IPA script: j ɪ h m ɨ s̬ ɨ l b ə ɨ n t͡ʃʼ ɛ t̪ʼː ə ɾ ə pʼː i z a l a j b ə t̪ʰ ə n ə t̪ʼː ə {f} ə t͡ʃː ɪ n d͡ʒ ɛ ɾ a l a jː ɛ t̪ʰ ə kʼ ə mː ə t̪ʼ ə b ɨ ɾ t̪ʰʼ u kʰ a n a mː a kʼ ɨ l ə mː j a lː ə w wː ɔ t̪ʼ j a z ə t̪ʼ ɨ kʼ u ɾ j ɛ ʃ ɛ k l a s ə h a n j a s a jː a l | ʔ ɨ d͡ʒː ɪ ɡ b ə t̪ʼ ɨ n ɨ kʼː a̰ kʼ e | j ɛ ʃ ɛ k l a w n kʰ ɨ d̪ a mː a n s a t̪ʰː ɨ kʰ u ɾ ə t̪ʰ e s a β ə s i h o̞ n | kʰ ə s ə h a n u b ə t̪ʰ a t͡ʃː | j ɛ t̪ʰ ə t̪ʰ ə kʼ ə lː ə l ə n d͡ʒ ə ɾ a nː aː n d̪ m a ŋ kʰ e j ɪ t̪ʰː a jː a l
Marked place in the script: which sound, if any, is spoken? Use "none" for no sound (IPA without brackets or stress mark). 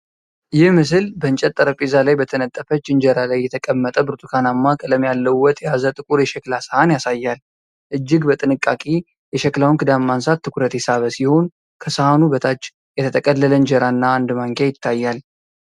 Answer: f